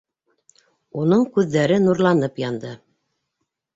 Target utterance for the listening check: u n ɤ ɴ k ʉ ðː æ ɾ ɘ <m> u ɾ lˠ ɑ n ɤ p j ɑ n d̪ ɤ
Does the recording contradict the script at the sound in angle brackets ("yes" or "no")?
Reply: yes